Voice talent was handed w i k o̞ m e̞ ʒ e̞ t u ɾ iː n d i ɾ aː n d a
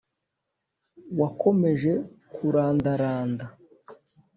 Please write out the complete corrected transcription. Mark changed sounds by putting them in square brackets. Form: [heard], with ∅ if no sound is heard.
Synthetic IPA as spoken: w [a] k o̞ m e̞ ʒ e̞ [k] u ɾ [aː] n d [a] ɾ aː n d a

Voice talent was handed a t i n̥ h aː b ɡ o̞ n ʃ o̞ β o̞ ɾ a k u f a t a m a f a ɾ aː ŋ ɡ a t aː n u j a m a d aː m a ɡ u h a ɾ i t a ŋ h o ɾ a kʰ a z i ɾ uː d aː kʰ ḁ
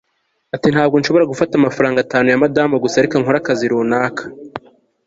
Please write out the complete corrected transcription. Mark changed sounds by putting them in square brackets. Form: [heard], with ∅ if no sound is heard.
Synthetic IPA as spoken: a t i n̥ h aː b ɡ o̞ n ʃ o̞ β o̞ ɾ a [ɡ] u f a t a m a f a ɾ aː ŋ ɡ a t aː n u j a m a d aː m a ɡ u [s] a ɾ i [k] a ŋ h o ɾ a [k] a z i ɾ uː [n] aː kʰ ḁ

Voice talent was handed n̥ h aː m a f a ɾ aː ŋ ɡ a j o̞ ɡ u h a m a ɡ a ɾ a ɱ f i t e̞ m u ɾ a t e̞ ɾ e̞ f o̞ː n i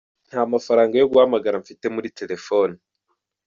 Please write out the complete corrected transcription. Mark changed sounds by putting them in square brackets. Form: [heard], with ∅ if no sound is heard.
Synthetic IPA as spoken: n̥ h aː m a f a ɾ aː ŋ ɡ a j o̞ ɡ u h a m a ɡ a ɾ a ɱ f i t e̞ m u ɾ [i] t e̞ ɾ e̞ f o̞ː n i

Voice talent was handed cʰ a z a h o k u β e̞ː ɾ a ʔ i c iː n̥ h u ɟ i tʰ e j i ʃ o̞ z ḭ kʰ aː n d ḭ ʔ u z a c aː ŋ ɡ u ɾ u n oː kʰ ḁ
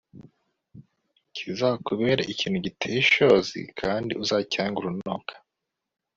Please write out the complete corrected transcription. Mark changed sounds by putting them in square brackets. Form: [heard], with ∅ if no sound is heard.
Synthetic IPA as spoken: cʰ [i] z a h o k u β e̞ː ɾ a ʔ i c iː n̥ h u ɟ i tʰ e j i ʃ o̞ z ḭ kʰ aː n d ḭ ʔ u z a c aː ŋ ɡ u ɾ u n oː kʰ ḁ

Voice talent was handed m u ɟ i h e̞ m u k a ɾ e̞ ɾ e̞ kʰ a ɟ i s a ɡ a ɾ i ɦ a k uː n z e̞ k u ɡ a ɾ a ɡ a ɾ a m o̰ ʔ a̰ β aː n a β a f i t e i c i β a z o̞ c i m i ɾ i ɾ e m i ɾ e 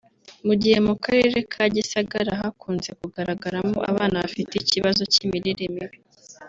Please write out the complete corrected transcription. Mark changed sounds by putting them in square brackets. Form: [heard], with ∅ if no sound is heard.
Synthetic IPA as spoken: m u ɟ i h e̞ m u k a ɾ e̞ ɾ e̞ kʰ a ɟ i s a ɡ a ɾ [a] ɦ a k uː n z e̞ k u ɡ a ɾ a ɡ a ɾ a m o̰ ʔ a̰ β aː n a β a f i t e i c i β a z o̞ c i m i ɾ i ɾ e m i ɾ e

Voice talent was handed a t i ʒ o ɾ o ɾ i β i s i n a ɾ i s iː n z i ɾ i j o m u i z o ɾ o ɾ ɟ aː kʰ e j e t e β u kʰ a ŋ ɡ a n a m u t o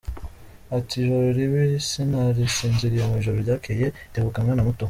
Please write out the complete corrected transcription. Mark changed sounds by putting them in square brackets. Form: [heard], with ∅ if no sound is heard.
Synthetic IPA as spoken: a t i ʒ o ɾ o ɾ i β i s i n a ɾ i s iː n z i ɾ i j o m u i [ʒ] o ɾ o ɾ ɟ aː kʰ e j e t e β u [k] a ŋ ɡ a n a m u t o

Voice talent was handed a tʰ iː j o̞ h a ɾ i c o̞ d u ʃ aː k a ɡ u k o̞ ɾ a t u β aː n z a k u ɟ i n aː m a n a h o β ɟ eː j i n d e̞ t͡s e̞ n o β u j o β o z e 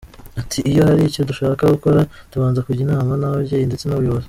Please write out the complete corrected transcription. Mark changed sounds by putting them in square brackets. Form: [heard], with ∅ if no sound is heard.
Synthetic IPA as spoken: a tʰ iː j o̞ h a ɾ i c o̞ d u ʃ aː k a ɡ u k o̞ ɾ a t u β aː n z a k u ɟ i n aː m a n a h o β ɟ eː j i n d e̞ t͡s e̞ n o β u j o β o z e

